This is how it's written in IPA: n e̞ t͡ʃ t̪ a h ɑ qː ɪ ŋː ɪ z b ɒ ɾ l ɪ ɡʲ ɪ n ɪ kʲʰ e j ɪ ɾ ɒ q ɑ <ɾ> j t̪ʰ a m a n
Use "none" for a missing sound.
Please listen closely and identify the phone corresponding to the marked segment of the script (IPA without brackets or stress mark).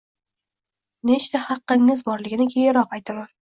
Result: none